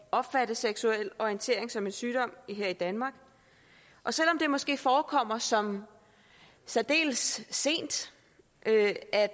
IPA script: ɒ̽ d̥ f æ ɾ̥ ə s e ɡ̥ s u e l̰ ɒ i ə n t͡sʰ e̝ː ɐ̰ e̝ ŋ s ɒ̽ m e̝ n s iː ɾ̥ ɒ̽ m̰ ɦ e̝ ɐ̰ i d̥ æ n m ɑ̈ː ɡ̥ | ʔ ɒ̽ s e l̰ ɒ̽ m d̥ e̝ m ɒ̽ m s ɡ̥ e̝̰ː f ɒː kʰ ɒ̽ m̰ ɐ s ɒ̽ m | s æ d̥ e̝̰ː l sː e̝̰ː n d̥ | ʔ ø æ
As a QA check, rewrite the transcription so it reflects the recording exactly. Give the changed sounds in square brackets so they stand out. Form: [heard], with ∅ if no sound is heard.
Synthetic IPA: ɒ̽ [b̥] f æ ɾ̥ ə s e ɡ̥ s u e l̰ ɒ i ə n t͡sʰ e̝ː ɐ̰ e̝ ŋ s ɒ̽ m e̝ n s [yː] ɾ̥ ɒ̽ m̰ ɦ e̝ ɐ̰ i d̥ æ n m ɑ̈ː ɡ̥ | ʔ ɒ̽ s e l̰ ɒ̽ m d̥ e̝ m ɒ̽ [∅] s ɡ̥ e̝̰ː f ɒː kʰ ɒ̽ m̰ ɐ s ɒ̽ m | s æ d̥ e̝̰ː l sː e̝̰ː n d̥ | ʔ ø æ

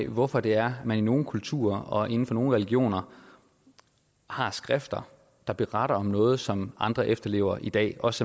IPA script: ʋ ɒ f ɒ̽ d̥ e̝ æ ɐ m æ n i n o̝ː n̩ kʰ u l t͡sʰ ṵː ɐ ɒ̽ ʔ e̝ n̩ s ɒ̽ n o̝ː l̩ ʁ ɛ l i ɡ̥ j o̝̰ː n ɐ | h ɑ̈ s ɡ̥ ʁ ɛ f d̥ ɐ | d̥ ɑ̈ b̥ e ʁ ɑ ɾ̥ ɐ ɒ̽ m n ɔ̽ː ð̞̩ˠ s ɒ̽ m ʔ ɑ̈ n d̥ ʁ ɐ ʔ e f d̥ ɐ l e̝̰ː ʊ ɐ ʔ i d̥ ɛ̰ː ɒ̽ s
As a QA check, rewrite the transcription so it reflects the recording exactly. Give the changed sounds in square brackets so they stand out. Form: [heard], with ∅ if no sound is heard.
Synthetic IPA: ʋ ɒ f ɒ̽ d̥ e̝ æ ɐ m æ n i n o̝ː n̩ kʰ u l t͡sʰ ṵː ɐ ɒ̽ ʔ e̝ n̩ [f] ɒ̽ n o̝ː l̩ ʁ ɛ l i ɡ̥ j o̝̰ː n ɐ | h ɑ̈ s ɡ̥ ʁ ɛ f d̥ ɐ | d̥ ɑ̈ b̥ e ʁ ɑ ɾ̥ ɐ ɒ̽ m n ɔ̽ː ð̞̩ˠ s ɒ̽ m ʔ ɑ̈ n d̥ ʁ ɐ ʔ e f d̥ ɐ l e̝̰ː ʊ ɐ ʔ i d̥ ɛ̰ː ɒ̽ s

